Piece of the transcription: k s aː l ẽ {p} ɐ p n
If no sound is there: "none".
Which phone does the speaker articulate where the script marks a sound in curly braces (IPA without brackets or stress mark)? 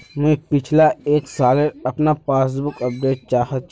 none